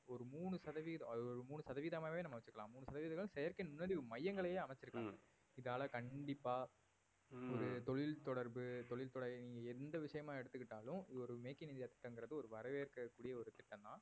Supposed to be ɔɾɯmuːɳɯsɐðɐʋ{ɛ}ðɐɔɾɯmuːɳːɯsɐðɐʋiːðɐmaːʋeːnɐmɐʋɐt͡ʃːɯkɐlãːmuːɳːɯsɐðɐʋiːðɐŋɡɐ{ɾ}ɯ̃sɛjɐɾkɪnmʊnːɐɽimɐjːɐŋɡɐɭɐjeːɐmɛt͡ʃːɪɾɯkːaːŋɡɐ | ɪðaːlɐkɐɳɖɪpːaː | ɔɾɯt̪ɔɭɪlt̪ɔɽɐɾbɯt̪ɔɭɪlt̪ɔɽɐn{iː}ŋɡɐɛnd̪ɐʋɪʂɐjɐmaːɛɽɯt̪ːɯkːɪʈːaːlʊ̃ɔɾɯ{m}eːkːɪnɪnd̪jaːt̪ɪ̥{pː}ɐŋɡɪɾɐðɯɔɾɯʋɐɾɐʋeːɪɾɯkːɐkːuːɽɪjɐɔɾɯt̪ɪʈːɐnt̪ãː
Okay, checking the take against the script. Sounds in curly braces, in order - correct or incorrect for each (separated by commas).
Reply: incorrect, incorrect, correct, correct, incorrect